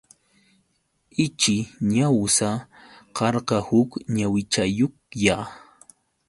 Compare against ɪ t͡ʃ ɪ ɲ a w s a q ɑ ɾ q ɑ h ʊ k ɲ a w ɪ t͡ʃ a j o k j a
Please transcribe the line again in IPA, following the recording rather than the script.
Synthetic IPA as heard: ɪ t͡ʃ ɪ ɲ a w s a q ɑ ɾ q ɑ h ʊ k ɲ a w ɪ t͡ʃ a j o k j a